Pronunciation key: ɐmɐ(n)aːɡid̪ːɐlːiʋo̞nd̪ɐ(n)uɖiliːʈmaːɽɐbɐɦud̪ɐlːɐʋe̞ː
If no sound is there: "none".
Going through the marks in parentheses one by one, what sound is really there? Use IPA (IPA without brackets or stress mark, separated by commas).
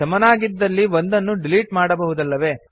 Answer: n, nː